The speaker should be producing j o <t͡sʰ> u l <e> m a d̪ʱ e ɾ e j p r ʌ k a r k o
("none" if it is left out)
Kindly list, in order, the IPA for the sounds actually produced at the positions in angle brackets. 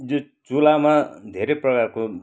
t͡s, a

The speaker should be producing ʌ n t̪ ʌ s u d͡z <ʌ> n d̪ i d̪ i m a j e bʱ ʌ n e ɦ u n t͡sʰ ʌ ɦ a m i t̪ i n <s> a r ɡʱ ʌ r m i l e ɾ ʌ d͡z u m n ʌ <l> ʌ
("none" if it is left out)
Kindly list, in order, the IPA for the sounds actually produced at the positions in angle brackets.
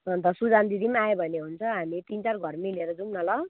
a, t͡s, l

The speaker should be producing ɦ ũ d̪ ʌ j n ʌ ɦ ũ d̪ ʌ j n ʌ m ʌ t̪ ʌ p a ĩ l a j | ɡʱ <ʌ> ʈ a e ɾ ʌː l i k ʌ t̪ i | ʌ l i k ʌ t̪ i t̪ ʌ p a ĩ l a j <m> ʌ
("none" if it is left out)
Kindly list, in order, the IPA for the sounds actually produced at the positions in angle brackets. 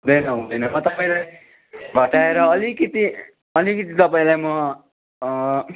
ʌ, m

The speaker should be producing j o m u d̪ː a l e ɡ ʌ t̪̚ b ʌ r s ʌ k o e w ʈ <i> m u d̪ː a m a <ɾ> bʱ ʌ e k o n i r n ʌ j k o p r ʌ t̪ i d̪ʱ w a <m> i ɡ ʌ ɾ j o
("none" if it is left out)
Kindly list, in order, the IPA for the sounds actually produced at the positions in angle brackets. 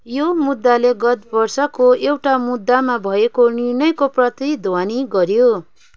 a, none, n

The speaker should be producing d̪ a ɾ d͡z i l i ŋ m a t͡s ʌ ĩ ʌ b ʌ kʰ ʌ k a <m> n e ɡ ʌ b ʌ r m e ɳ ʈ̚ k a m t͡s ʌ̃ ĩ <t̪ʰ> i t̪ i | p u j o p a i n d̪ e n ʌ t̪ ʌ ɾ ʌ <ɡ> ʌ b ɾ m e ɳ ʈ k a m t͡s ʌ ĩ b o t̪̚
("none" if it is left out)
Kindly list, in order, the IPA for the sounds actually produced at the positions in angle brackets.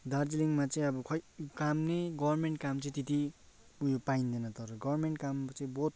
m, t̪, ɡ

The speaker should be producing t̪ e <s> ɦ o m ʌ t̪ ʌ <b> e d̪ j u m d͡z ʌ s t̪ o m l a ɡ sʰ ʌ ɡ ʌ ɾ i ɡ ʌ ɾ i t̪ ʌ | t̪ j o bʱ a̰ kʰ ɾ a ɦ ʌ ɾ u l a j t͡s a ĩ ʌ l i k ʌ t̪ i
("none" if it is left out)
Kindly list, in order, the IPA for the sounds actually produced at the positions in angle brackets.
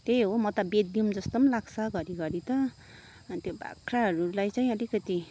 none, b

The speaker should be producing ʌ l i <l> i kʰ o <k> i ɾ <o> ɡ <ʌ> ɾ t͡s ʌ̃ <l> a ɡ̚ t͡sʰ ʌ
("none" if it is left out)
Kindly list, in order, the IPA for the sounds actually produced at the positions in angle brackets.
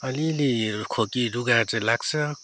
l, k, u, a, l

